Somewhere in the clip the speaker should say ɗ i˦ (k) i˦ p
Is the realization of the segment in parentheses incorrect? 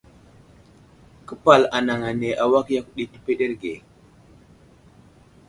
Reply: yes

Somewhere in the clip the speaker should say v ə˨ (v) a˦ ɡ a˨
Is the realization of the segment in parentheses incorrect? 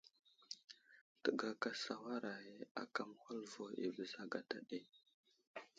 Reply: yes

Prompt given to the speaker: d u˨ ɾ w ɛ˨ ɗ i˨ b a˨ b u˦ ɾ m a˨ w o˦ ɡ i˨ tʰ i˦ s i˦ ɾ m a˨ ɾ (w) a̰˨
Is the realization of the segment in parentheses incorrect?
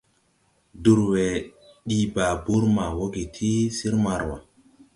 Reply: no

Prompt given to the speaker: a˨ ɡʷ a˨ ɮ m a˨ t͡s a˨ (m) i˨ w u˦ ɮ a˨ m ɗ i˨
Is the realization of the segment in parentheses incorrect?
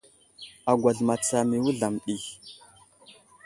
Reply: no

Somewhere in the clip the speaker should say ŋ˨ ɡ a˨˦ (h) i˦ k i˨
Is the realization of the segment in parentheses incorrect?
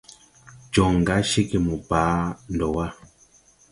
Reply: yes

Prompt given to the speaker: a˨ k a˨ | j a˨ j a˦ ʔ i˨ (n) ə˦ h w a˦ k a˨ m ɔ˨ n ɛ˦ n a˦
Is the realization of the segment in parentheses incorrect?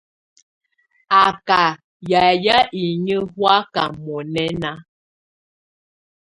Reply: yes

